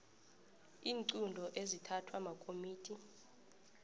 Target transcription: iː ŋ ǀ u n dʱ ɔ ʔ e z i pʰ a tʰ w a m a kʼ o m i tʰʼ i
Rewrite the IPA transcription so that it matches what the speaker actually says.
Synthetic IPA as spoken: iː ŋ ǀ u n dʱ ɔ ʔ e z i tʰ a tʰ w a m a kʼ o m iː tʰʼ i